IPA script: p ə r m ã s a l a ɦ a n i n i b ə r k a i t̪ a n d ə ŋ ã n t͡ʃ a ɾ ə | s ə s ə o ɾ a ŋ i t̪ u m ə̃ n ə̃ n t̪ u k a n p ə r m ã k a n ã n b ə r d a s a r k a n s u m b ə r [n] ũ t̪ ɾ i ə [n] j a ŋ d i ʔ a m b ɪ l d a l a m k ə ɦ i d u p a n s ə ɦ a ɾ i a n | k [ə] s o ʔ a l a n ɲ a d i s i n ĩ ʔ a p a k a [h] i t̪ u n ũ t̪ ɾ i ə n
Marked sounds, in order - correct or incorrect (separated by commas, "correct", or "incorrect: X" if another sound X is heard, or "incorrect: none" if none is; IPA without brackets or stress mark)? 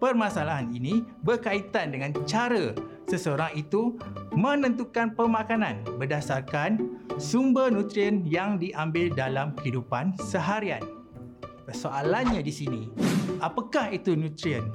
correct, correct, correct, correct